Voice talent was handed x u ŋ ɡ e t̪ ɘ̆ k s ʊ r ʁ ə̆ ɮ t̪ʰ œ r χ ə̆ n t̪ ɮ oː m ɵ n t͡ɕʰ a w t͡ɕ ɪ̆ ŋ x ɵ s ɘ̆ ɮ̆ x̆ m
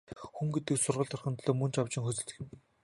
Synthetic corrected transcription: x u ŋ ɡ e t̪ ɘ̆ k s ʊ r ʁ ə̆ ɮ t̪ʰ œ r χ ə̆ n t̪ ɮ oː m ɵ n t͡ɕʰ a w t͡ɕ ɪ̆ ŋ x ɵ t͡s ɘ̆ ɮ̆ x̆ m